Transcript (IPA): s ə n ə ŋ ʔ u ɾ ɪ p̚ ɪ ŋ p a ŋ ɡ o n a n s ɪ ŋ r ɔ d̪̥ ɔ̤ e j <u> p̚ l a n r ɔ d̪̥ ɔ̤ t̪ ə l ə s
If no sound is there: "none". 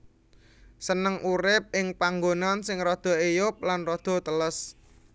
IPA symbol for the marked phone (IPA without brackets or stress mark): ʊ